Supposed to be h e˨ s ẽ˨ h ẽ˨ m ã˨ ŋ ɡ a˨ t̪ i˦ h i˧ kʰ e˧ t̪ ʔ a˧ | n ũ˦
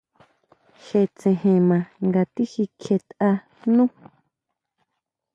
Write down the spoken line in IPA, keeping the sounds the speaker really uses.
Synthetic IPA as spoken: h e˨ t͡s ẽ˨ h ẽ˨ m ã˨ ŋ ɡ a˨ t̪ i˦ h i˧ kʰ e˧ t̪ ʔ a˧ | n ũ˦